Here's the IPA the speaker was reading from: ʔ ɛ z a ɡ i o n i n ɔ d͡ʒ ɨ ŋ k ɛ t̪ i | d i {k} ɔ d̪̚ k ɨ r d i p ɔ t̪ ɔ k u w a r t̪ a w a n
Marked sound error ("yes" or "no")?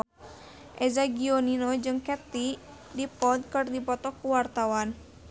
yes